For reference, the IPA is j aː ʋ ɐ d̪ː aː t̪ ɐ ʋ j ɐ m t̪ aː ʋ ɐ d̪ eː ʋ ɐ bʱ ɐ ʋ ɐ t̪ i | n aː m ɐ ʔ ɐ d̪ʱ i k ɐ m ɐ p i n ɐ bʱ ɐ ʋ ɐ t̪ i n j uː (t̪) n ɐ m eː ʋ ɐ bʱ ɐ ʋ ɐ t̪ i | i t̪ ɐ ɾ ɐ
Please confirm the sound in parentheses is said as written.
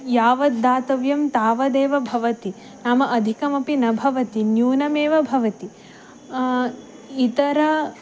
no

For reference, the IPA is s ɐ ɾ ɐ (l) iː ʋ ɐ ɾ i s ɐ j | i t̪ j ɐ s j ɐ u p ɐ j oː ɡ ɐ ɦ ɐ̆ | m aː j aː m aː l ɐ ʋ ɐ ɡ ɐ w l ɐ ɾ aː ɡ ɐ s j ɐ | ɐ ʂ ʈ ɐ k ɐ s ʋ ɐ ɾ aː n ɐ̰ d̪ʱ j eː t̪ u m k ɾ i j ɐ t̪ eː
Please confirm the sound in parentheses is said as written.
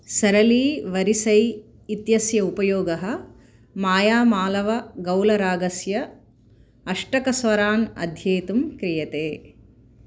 yes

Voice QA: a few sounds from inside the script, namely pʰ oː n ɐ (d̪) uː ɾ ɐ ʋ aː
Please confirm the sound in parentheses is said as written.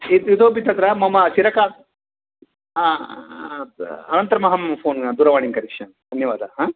yes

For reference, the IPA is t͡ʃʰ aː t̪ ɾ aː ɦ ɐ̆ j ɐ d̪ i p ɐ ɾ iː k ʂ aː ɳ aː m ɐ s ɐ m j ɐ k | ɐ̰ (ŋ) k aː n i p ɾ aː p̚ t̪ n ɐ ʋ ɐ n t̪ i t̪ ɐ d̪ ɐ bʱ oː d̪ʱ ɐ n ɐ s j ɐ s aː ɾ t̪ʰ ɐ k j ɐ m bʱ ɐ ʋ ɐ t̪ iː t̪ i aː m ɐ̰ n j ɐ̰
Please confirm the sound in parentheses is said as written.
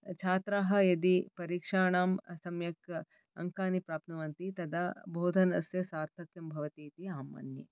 yes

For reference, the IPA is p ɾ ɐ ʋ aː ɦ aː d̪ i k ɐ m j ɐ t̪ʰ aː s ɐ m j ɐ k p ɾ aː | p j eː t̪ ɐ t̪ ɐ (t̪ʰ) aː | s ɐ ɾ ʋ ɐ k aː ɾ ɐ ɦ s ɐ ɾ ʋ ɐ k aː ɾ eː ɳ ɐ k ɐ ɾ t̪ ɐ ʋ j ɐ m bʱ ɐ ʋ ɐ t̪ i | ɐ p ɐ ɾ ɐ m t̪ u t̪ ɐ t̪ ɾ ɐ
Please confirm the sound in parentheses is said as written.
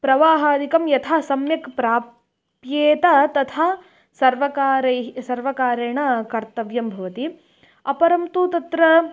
yes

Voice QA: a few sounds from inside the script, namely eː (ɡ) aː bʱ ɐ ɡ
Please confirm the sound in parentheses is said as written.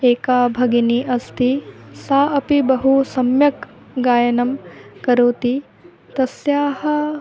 no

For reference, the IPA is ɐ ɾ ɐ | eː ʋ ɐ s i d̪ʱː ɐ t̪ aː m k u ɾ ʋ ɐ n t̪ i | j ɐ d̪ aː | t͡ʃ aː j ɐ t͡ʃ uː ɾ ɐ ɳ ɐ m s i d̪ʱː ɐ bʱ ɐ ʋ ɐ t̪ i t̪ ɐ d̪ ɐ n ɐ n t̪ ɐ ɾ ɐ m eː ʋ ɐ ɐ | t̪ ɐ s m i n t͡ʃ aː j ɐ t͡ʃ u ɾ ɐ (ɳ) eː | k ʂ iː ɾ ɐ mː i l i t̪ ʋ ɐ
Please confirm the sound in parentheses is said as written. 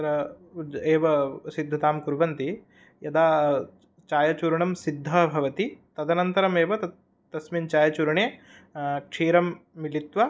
yes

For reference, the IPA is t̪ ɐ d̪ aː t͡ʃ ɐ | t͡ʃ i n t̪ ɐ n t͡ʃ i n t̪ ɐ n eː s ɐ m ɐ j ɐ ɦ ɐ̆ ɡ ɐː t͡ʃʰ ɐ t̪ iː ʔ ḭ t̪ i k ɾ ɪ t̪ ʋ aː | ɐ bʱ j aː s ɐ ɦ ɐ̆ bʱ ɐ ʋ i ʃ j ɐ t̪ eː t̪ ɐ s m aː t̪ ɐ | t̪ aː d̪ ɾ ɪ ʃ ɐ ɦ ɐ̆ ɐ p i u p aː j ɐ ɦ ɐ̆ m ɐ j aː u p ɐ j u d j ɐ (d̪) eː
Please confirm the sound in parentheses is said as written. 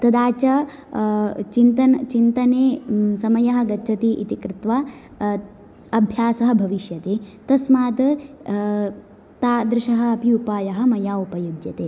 no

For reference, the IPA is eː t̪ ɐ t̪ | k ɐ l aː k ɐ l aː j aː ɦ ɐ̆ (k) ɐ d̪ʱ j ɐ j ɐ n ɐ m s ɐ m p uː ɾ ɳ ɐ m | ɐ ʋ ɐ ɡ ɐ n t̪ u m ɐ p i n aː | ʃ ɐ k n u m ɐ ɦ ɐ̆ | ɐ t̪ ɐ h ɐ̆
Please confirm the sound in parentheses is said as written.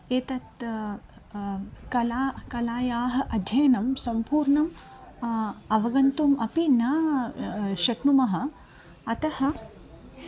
no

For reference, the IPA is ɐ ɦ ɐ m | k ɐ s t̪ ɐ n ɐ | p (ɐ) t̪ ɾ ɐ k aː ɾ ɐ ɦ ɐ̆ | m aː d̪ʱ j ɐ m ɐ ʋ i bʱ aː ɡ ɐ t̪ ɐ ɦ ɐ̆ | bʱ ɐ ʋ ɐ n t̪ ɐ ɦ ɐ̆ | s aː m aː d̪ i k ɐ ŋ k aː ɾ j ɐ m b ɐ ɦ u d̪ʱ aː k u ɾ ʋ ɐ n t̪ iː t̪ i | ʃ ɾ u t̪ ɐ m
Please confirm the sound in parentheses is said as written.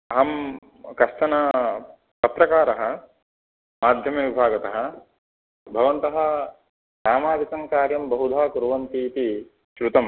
yes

